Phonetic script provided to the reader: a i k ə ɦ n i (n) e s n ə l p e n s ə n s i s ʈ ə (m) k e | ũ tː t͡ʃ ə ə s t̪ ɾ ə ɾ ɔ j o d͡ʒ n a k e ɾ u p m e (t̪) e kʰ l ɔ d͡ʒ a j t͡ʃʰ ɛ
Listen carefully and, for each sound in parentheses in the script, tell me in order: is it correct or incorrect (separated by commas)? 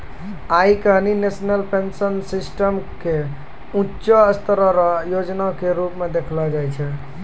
correct, correct, incorrect